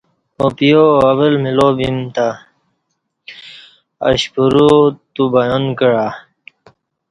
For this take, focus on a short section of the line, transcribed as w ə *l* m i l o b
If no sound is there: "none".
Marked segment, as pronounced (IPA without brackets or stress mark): l